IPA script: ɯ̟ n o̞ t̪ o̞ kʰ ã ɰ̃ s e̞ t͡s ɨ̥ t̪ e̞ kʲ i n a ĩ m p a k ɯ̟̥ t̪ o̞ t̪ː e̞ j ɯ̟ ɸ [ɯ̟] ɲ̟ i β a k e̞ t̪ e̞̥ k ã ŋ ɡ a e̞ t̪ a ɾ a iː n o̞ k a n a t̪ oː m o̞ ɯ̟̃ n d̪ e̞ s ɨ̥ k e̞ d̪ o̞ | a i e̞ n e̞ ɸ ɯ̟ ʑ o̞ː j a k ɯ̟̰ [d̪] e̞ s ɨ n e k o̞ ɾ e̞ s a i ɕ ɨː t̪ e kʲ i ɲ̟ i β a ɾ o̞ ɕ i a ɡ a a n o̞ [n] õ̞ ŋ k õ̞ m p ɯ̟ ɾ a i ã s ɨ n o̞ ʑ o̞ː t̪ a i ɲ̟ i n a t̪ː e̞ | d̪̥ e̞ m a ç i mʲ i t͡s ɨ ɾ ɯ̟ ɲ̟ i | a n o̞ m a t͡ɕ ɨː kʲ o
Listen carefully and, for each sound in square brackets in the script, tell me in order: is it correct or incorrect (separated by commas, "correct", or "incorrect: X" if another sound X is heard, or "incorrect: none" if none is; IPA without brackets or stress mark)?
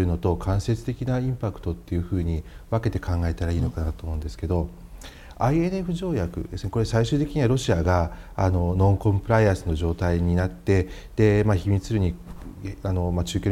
incorrect: ɯ̟ː, correct, correct